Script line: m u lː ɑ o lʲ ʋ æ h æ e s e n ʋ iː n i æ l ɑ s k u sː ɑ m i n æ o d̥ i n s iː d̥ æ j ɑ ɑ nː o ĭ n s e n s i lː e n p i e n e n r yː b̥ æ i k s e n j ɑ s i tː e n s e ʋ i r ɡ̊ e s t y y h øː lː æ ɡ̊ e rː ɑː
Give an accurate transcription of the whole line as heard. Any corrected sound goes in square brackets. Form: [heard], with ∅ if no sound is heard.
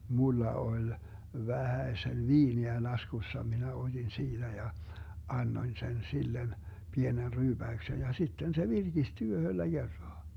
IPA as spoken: m u lː ɑ o lʲ ʋ æ h æ e s e n ʋ iː n i æ l ɑ s k u sː ɑ m i n æ o d̥ i n s iː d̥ æ j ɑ ɑ nː o ĭ n s e n s i lː e n p i e n e n r yː b̥ æ [y] k s e n j ɑ s i tː e n s e ʋ i r ɡ̊ [i] s t y y h [ø] lː æ ɡ̊ e rː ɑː